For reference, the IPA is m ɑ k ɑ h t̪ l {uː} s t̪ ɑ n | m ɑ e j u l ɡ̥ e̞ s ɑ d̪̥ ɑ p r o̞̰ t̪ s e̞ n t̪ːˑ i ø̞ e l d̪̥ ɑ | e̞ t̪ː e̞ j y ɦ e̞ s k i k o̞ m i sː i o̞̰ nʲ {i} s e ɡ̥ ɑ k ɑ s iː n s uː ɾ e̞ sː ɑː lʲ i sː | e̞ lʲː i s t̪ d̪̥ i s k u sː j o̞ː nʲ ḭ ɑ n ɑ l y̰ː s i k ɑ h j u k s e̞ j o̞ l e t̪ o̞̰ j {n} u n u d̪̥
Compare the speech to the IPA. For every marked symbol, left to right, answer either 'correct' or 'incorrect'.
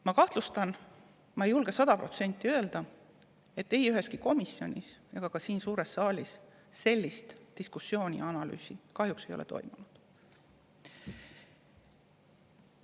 incorrect: u, correct, incorrect: m

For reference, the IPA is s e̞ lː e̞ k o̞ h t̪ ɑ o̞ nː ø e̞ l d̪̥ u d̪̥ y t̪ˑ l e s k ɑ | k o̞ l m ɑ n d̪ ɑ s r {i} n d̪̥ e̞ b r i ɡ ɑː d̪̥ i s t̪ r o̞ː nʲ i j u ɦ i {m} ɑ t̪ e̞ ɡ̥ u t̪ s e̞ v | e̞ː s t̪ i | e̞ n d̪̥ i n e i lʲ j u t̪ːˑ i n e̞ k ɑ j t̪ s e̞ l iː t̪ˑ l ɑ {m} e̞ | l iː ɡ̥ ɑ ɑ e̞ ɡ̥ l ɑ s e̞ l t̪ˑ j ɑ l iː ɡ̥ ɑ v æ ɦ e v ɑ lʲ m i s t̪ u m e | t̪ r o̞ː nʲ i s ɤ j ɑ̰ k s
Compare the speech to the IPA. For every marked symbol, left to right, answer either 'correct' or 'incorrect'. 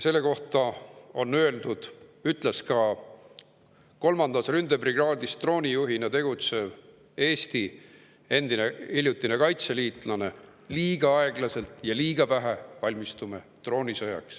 incorrect: y, incorrect: n, incorrect: n

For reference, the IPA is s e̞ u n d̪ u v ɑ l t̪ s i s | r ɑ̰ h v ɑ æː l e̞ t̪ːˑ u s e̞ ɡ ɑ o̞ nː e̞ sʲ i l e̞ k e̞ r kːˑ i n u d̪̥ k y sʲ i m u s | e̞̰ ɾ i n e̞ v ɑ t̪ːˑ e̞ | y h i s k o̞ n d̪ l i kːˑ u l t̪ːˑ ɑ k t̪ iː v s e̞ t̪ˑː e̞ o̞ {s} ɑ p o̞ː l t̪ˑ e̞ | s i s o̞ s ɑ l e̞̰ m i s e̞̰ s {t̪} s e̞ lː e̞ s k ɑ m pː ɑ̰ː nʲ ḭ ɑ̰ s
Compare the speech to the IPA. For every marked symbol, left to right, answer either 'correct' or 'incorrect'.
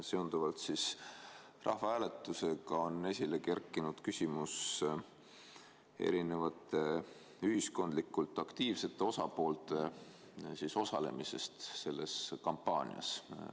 correct, correct

